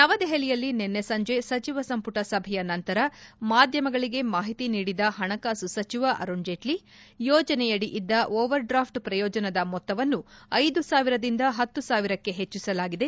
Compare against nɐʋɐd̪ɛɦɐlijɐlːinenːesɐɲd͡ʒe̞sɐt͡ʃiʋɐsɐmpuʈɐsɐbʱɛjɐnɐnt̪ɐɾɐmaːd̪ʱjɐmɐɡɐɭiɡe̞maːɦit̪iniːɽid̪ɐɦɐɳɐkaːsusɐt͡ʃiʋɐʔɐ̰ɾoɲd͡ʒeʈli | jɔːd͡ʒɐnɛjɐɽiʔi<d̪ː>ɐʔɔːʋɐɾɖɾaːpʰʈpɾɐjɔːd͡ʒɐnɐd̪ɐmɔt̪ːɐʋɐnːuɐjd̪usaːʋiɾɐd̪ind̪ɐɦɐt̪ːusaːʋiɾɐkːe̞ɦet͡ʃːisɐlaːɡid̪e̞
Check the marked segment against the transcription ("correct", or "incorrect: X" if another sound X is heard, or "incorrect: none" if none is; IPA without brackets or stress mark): correct